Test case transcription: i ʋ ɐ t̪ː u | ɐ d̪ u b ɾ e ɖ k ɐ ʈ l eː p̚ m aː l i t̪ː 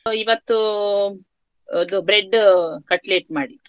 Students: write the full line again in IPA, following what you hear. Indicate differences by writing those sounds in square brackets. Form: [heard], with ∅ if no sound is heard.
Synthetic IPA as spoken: i ʋ ɐ t̪ː u | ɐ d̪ u b ɾ e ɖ k ɐ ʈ l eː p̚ m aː [ɽ] i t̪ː

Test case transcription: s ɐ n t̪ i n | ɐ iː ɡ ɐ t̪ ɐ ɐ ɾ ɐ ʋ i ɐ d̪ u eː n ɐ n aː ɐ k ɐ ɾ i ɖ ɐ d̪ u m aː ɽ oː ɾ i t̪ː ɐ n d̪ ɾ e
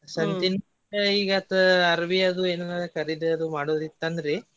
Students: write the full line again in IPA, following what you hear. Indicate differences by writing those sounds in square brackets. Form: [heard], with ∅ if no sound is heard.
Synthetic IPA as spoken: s ɐ n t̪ i n | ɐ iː ɡ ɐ t̪ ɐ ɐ ɾ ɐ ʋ i ɐ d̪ u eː n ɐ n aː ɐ k ɐ ɾ i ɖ ɐ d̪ u m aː ɽ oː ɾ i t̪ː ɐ n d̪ ɾ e

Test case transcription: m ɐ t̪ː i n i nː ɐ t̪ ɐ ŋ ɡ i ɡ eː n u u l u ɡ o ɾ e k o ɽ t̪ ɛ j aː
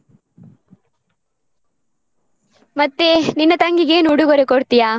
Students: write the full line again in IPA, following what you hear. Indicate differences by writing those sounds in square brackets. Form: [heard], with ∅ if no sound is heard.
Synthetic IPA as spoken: m ɐ t̪ː [e] n i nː ɐ t̪ ɐ ŋ ɡ i ɡ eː n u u [ɽ] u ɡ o ɾ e k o ɽ t̪ [i] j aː

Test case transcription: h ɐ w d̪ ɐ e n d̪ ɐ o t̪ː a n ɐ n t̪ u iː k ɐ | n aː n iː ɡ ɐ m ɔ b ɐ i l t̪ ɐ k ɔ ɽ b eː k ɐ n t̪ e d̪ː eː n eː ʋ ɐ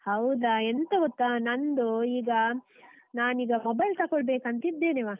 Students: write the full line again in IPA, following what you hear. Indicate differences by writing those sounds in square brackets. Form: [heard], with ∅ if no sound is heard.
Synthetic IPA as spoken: h ɐ w d̪ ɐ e n [t̪] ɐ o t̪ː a n ɐ n [d̪] u iː [ɡ] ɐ | n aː n iː ɡ ɐ m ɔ b ɐ [j] l t̪ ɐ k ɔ [ɭ] b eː k ɐ n t̪ [i] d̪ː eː n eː ʋ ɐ

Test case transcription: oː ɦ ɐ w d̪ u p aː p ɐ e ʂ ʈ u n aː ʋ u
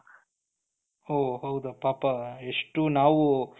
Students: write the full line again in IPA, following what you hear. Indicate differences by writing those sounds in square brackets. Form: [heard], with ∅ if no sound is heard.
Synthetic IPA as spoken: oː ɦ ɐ w d̪ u p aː p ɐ e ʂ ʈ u n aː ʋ u

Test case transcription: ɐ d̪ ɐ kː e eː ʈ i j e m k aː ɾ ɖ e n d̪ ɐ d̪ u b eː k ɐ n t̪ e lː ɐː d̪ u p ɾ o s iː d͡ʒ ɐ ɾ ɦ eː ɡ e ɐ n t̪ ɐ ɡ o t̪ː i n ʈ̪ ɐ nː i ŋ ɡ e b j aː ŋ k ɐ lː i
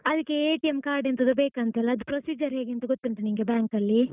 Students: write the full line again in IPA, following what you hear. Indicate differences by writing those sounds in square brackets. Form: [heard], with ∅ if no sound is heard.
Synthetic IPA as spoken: ɐ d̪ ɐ kː e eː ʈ i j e m k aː ɾ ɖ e n [t̪] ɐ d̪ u b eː k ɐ n t̪ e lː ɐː d̪ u p ɾ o s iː d͡ʒ ɐ ɾ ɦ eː ɡ e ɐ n t̪ ɐ ɡ o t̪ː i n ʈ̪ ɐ [n] i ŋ ɡ e b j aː ŋ k ɐ lː i

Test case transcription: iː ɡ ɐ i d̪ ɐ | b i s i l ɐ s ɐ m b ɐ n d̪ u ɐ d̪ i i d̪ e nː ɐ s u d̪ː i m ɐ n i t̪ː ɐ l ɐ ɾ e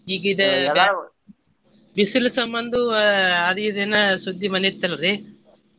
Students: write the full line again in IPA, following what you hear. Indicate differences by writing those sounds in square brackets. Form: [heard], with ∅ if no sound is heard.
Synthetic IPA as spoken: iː ɡ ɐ i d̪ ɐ | b i s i l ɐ s ɐ m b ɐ n d̪ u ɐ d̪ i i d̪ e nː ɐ s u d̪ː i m ɐ n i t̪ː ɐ l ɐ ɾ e

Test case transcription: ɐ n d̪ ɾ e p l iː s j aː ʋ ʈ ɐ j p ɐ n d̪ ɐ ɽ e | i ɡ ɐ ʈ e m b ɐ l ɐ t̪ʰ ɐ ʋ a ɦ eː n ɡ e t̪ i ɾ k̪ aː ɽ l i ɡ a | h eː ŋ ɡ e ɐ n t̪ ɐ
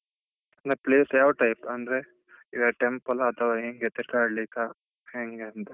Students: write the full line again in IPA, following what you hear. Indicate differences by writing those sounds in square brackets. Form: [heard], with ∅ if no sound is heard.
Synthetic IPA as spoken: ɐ n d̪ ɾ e p l iː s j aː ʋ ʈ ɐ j p ɐ n d̪ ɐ [ɾ] e | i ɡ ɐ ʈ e m [p] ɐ l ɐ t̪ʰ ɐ ʋ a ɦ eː [ŋ] ɡ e t̪ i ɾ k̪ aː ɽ l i [k] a | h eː ŋ ɡ e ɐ n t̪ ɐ

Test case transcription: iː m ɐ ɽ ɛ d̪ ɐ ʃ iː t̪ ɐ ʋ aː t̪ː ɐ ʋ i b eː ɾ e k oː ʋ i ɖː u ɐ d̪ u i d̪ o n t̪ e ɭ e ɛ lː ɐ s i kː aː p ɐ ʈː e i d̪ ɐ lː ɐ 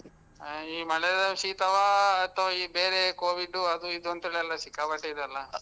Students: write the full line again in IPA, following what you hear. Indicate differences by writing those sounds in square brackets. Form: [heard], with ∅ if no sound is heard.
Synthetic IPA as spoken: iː m ɐ [ɭ] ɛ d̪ ɐ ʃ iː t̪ ɐ ʋ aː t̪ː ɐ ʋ i b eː ɾ e k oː ʋ i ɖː u ɐ d̪ u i d̪ o n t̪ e ɭ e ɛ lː ɐ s i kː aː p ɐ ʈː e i d̪ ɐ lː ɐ

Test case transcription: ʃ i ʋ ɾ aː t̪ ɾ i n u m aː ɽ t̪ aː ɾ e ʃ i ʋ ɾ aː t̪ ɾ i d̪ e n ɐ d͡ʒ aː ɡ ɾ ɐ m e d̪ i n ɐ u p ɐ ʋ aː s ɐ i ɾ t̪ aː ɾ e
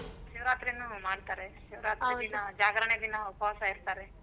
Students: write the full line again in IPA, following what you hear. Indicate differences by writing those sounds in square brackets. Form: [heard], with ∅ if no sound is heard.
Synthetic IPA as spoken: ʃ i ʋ ɾ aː t̪ ɾ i n u m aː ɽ t̪ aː ɾ e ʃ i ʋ ɾ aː t̪ ɾ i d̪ [i] n ɐ d͡ʒ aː ɡ ɾ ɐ [ɳ] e d̪ i n ɐ u p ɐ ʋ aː s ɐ i ɾ t̪ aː ɾ e

